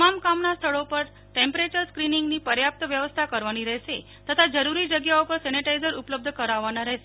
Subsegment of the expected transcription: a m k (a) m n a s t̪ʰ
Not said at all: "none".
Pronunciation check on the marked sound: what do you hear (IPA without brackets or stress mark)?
a